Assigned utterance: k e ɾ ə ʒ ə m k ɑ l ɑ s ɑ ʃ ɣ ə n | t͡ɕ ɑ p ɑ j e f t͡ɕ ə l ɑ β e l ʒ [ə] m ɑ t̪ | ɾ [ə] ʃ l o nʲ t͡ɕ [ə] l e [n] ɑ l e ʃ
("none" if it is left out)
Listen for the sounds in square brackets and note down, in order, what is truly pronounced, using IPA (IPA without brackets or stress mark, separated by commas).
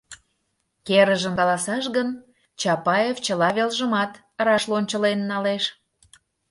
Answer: ə, ɑ, ə, nː